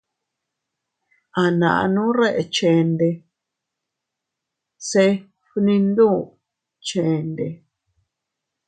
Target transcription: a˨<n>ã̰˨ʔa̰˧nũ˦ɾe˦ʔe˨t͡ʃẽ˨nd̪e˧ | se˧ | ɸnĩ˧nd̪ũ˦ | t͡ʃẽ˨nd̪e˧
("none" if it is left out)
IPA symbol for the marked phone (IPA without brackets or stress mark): n